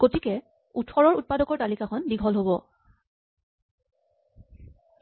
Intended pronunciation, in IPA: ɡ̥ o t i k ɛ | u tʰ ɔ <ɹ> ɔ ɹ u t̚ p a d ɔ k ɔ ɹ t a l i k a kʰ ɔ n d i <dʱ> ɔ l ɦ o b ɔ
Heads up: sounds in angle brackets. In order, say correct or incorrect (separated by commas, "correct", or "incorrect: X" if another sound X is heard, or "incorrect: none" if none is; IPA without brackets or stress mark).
correct, incorrect: ɡʱ